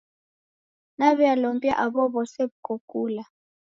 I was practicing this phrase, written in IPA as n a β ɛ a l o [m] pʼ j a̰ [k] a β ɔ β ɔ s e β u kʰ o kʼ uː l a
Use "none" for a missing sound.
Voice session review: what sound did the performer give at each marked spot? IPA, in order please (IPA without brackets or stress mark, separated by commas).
m, ʔ